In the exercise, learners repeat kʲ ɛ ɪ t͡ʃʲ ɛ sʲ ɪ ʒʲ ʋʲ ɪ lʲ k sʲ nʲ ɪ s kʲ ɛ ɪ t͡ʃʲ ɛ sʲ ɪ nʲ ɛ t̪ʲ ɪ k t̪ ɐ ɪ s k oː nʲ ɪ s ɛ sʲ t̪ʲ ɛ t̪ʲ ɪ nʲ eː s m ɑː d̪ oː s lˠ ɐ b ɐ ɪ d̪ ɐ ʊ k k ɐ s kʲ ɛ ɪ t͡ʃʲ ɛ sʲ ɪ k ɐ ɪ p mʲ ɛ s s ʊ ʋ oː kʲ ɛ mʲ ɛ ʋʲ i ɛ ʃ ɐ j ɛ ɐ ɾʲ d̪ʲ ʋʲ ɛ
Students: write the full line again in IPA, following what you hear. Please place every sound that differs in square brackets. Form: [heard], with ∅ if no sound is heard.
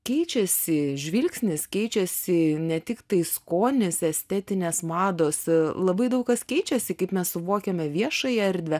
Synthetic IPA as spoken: kʲ ɛ ɪ t͡ʃʲ ɛ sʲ ɪ ʒʲ ʋʲ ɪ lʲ k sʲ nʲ ɪ s kʲ ɛ ɪ t͡ʃʲ ɛ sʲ ɪ nʲ ɛ t̪ʲ ɪ k t̪ ɐ ɪ s k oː nʲ ɪ s ɛ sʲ t̪ʲ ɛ t̪ʲ ɪ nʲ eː s m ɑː d̪ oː s lˠ ɐ b ɐ ɪ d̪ ɐ ʊ k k ɐ s kʲ ɛ ɪ t͡ʃʲ ɛ sʲ ɪ k ɐ ɪ p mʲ ɛ s s ʊ ʋ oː kʲ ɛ mʲ ɛ ʋʲ i ɛ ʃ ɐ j ɛ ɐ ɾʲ d̪ʲ ʋʲ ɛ